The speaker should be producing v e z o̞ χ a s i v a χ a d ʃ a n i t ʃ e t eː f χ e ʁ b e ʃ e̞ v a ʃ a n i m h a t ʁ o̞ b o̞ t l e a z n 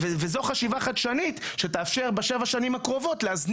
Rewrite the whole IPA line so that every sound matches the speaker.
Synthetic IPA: v e z o̞ χ a ʃ i v a χ a d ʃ a n i t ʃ e t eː f ʃ e ʁ b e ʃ e̞ v a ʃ a n i m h a k ʁ o̞ v o̞ t l e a z n